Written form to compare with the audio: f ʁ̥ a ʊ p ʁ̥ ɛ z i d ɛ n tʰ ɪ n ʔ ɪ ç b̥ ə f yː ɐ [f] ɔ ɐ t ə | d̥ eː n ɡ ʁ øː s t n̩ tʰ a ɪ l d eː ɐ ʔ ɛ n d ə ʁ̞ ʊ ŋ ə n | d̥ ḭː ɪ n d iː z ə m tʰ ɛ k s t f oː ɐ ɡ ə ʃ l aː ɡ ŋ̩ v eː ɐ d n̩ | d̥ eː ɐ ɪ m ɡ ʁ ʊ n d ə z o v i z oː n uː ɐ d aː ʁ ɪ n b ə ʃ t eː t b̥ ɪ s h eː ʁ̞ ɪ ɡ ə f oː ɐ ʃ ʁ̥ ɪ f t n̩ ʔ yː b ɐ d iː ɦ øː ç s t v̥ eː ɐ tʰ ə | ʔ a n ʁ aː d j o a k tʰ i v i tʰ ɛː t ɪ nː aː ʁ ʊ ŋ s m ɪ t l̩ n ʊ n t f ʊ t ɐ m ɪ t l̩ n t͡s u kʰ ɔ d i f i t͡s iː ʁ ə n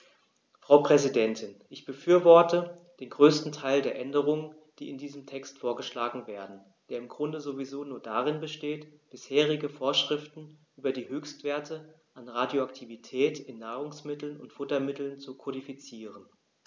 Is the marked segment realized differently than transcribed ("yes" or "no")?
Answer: yes